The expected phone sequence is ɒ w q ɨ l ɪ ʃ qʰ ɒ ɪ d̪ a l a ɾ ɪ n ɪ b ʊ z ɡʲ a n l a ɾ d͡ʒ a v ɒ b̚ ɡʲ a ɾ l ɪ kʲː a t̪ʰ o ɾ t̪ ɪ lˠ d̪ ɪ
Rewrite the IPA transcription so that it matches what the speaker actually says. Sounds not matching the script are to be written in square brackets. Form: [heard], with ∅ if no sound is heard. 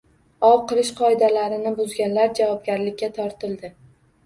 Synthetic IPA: ɒ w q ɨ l ɪ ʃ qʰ ɒ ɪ d̪ a l a ɾ ɪ n ɪ b ʊ z ɡʲ a n l a ɾ d͡ʒ a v ɒ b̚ ɡʲ a ɾ l ɪ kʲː a t̪ʰ [ɒ] ɾ t̪ ɪ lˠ d̪ ɪ